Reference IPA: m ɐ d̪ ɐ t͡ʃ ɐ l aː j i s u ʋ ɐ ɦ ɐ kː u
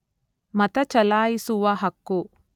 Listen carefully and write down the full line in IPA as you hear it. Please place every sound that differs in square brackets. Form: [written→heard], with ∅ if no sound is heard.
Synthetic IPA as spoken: m ɐ [d̪→t̪] ɐ t͡ʃ ɐ l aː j i s u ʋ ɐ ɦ ɐ kː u